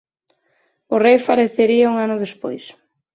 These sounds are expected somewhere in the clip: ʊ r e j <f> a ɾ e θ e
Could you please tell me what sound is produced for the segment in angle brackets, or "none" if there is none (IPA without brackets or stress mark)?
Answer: f